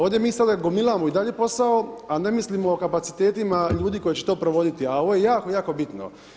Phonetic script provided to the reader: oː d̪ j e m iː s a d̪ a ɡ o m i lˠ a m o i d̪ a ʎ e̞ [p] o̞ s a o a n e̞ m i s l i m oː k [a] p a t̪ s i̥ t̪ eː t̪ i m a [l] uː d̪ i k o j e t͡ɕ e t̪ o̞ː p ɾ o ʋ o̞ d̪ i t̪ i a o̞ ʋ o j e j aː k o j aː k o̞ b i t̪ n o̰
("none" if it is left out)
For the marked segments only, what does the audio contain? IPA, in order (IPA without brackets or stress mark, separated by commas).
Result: p, a, ʎ